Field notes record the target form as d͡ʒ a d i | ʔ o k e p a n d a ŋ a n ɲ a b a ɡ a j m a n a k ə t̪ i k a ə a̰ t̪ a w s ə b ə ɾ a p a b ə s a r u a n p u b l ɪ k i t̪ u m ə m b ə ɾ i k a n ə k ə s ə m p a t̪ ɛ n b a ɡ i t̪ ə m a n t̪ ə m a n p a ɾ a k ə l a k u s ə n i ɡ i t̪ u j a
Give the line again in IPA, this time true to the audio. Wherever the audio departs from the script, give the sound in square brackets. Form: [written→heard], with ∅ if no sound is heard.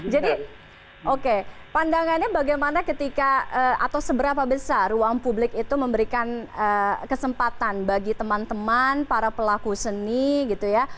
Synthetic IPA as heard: d͡ʒ a d i | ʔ o k e p a n d a ŋ a n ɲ a b a ɡ a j m a n a k ə t̪ i k a ə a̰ t̪ a w s ə b ə ɾ a p a b ə s a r u a [n→ŋ] p u b l ɪ k i t̪ u m ə m b ə ɾ i k a n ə k ə s ə m p a t̪ [ɛ→a] n b a ɡ i t̪ ə m a n t̪ ə m a n p a ɾ a [k→p] ə l a k u s ə n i ɡ i t̪ u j a